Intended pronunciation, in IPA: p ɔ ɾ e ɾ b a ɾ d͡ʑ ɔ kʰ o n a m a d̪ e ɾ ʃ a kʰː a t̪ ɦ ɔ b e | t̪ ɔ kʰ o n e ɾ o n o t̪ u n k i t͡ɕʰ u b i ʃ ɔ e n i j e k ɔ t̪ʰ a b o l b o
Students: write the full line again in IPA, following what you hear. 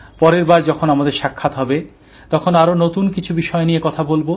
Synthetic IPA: p ɔ ɾ e ɾ b a ɾ d͡ʑ ɔ kʰ o n a m a d̪ e ɾ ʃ a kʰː a t̪ ɦ ɔ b e | t̪ ɔ kʰ o n a ɾ o n o t̪ u n k i t͡ɕʰ u b i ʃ ɔ e n i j e k ɔ t̪ʰ a b o l b o